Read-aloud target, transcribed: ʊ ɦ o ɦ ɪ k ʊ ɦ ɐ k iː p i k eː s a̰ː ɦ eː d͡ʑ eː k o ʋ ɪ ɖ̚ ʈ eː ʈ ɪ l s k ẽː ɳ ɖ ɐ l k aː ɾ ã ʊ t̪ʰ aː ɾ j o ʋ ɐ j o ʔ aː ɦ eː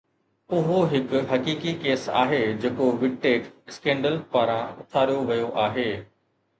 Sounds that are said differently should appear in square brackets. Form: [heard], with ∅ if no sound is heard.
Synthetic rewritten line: ʊ ɦ o ɦ ɪ k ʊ ɦ ɐ k iː [k] i k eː s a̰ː ɦ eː d͡ʑ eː k o ʋ ɪ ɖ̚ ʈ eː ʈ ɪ [∅] s k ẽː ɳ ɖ [ə] l [p] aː ɾ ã ʊ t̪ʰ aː ɾ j o ʋ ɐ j o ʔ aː ɦ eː

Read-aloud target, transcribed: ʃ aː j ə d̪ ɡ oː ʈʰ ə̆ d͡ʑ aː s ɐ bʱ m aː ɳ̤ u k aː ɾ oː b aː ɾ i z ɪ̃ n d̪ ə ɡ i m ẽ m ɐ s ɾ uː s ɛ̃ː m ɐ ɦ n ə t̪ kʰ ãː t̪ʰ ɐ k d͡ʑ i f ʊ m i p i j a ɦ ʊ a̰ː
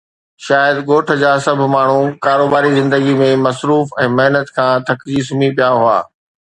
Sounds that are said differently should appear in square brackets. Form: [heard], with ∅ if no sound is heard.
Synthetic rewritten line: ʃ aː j ə d̪ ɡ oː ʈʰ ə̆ d͡ʑ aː s ɐ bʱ m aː ɳ̤ u k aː ɾ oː b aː ɾ i z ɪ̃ n d̪ ə ɡ i m ẽ m ɐ s ɾ uː [f] ɛ̃ː m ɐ ɦ n ə t̪ kʰ ãː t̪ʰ ɐ k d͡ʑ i [s] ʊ m i p i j a ɦ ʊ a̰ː

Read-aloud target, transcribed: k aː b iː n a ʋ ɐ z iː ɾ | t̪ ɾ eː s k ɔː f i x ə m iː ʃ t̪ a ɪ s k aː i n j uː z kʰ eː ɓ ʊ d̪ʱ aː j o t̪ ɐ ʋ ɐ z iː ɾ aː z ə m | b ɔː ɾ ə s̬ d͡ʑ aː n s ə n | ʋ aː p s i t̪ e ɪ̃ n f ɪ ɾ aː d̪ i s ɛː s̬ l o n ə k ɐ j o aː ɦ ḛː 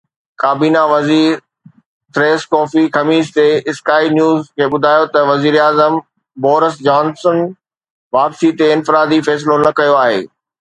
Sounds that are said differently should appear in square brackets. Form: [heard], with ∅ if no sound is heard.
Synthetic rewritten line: k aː b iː n a ʋ ɐ z iː ɾ | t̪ ɾ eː s k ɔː f i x [ɐ] m iː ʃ t̪ [e] ɪ s k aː i n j uː z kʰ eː ɓ ʊ d̪ʱ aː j o t̪ ɐ ʋ ɐ z iː ɾ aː z ə m | b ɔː ɾ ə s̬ d͡ʑ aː n s ə n | ʋ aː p s i t̪ e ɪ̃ n f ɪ ɾ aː d̪ i [f] ɛː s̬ l o n [ɐ] k ɐ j o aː ɦ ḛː

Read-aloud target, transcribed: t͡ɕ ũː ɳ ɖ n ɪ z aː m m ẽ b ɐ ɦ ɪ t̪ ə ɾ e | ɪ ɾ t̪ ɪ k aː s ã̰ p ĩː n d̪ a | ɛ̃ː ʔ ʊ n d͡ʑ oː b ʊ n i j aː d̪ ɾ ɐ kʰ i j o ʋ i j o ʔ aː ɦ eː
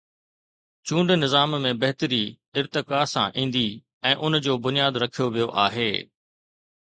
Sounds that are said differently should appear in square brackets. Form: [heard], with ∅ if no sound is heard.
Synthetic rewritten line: t͡ɕ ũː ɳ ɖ n ɪ z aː m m ẽ b ɐ ɦ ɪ t̪ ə ɾ [i] | ɪ ɾ t̪ ɪ k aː s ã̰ [ʔ] ĩː n d̪ [i] | ɛ̃ː ʔ ʊ n d͡ʑ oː b ʊ n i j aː d̪ ɾ ɐ kʰ i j o ʋ i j o ʔ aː ɦ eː

